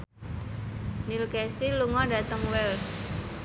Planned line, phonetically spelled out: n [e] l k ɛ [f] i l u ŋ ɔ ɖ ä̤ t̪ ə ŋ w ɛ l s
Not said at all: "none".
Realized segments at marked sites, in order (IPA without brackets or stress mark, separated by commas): i, s